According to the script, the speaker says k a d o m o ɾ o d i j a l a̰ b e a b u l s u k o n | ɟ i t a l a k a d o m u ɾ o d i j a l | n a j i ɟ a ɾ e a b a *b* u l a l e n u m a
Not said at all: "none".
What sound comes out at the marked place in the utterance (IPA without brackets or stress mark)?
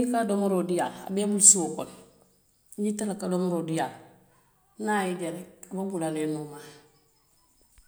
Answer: b